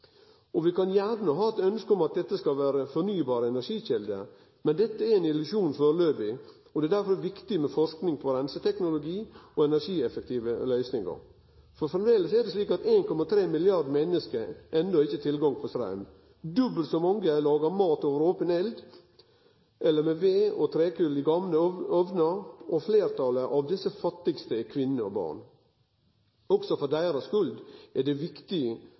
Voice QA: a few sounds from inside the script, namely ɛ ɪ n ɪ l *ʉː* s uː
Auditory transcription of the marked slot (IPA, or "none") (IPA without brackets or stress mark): ʉ